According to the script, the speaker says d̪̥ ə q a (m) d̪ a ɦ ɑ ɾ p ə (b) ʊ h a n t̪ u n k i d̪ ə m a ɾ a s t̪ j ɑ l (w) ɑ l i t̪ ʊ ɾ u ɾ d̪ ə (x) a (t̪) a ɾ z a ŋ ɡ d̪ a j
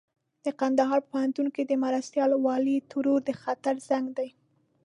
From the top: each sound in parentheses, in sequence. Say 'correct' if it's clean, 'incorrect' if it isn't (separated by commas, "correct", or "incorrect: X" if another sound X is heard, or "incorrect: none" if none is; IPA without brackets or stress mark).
incorrect: n, incorrect: p, correct, correct, correct